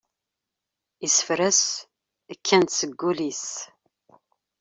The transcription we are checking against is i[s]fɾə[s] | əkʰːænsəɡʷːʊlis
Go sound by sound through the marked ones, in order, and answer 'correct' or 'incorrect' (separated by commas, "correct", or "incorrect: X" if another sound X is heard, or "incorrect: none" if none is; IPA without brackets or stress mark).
correct, correct